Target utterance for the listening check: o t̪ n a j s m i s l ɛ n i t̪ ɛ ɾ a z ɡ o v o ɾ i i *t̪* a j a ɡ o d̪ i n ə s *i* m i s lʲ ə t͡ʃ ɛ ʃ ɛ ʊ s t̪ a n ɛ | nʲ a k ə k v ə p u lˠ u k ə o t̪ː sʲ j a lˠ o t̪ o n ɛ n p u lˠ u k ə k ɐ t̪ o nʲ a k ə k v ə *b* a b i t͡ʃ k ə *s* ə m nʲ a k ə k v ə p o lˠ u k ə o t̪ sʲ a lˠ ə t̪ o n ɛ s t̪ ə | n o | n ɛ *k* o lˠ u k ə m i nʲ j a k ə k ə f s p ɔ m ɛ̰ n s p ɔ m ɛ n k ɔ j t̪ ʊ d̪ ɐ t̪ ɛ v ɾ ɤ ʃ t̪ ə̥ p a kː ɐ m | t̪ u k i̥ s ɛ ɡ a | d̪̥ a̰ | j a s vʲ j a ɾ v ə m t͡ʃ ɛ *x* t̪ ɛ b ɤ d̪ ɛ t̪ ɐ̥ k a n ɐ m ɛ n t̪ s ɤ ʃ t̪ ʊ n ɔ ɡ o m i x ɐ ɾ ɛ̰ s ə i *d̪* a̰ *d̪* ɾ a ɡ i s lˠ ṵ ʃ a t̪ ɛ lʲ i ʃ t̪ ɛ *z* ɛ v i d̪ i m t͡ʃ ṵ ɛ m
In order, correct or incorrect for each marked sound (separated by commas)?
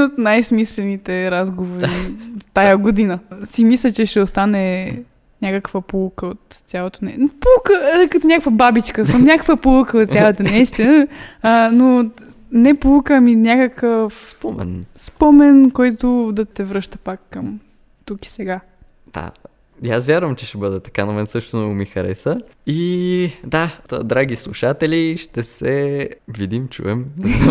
correct, correct, correct, correct, incorrect, incorrect, correct, correct, incorrect